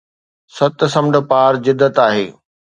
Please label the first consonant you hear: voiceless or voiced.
voiceless